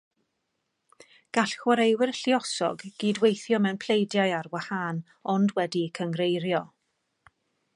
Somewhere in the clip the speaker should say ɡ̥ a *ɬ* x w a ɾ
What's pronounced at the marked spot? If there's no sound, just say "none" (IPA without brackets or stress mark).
ɬ